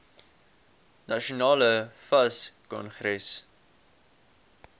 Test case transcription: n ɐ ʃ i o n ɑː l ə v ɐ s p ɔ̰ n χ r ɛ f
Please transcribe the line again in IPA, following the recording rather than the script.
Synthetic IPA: n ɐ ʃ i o n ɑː l ə f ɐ s k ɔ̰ n χ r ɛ s